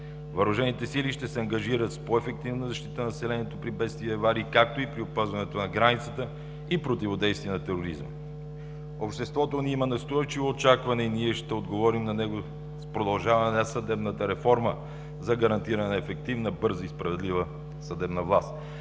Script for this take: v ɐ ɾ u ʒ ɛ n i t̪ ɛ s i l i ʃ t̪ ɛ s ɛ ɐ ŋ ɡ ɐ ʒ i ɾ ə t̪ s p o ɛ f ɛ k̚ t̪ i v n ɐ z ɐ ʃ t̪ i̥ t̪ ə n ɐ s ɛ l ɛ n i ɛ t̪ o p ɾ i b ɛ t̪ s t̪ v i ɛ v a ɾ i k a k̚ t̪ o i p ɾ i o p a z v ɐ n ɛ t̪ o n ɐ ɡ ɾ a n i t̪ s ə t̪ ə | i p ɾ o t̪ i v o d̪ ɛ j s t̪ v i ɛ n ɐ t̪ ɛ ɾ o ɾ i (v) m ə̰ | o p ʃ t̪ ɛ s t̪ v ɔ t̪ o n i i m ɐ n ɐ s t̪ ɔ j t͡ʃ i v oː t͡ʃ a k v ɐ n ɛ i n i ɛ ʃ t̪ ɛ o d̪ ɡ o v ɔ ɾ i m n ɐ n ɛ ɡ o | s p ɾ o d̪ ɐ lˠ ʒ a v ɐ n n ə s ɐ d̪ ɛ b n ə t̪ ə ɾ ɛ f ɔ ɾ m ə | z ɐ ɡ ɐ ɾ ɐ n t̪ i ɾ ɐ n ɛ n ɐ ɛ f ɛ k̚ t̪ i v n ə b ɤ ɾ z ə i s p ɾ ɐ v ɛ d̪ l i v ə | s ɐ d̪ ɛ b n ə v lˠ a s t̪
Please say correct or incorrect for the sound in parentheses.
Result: incorrect